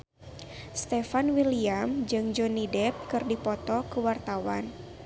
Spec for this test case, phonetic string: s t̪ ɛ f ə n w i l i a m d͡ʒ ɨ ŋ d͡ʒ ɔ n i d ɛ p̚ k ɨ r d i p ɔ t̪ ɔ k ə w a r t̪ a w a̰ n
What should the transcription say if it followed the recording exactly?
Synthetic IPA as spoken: s t̪ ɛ f a n w i l i a m d͡ʒ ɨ ŋ d͡ʒ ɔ n i d ɛ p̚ k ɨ r d i p ɔ t̪ ɔ k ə w a r t̪ a w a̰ n